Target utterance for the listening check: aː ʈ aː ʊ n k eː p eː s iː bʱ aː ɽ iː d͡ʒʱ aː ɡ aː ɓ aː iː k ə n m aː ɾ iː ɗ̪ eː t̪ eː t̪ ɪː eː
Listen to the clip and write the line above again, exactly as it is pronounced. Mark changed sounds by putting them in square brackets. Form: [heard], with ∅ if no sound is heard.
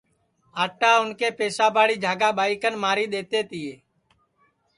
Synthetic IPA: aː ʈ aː ʊ n k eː p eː s [aː] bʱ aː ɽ iː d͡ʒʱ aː ɡ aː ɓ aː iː k ə n m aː ɾ iː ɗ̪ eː t̪ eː t̪ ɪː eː